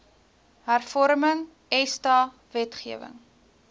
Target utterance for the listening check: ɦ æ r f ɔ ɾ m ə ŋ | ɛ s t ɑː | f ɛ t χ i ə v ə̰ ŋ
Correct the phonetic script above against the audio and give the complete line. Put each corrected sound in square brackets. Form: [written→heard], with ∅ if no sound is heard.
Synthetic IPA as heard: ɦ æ r f ɔ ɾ m ə ŋ | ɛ s t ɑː | [f→v] ɛ t χ i ə v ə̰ ŋ